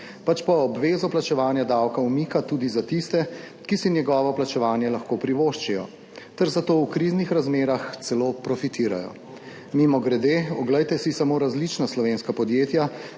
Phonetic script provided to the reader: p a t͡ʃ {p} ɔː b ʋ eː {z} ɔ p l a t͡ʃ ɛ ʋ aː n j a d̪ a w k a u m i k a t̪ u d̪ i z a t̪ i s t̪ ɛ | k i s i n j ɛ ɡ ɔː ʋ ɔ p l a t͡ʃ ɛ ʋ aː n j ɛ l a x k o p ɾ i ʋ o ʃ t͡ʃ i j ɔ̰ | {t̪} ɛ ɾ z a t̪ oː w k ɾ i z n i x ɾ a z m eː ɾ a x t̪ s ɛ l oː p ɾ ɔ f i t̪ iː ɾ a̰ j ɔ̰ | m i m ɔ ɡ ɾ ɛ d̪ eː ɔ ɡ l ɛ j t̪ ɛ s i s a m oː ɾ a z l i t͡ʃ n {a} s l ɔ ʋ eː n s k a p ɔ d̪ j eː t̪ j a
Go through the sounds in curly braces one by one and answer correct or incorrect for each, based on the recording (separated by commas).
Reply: correct, correct, correct, correct